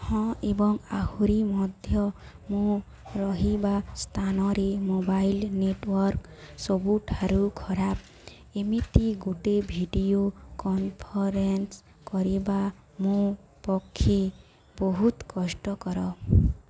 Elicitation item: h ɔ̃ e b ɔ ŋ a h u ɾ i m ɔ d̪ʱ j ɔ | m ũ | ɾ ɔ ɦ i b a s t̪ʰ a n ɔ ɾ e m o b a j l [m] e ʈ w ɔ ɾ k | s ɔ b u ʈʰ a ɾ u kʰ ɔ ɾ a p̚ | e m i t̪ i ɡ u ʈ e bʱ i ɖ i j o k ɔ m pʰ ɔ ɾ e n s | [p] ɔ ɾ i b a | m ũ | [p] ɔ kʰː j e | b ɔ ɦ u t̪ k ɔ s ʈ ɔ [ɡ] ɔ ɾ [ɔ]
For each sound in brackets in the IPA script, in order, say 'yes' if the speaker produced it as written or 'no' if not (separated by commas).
no, no, yes, no, yes